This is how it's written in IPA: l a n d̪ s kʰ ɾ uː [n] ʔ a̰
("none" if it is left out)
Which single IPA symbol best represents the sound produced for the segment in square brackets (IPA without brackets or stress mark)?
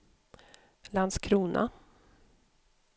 n